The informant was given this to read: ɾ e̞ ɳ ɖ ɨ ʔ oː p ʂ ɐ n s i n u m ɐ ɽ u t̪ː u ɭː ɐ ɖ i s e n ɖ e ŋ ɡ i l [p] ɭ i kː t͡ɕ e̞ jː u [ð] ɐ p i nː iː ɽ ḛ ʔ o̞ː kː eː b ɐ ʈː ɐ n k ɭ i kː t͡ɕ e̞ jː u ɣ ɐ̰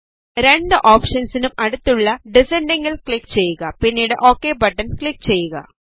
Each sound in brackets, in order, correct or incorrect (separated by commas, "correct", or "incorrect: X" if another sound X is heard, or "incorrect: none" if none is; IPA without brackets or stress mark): incorrect: k, incorrect: ɣ